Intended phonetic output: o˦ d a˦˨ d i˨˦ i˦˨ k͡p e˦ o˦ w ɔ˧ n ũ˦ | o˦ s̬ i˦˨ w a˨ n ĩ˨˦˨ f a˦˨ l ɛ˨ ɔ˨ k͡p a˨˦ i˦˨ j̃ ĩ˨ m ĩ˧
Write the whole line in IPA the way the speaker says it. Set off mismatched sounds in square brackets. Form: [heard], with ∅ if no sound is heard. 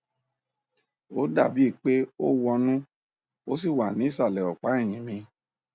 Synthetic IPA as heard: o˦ d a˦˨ [b] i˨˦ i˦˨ k͡p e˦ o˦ w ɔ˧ n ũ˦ | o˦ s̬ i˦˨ w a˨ n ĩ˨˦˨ [s] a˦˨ l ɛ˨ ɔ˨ k͡p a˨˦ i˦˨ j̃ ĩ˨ m ĩ˧